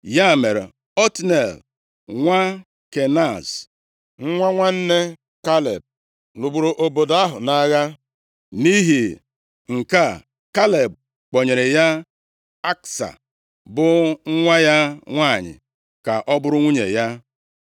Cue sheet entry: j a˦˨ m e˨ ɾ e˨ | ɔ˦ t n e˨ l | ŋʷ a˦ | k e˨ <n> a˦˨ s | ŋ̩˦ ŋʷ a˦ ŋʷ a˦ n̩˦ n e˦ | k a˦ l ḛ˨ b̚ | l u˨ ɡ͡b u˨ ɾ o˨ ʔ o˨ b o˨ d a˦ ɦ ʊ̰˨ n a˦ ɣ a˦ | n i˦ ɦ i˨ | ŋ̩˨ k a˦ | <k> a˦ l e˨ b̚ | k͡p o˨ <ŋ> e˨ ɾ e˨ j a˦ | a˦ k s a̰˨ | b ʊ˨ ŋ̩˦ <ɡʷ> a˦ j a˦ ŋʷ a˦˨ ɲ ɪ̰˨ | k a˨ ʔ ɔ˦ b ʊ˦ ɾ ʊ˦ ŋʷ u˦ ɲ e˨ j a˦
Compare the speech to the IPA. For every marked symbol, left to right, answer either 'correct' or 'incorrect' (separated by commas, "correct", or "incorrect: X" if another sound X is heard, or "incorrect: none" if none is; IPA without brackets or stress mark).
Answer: correct, correct, incorrect: ɲ, incorrect: ŋʷ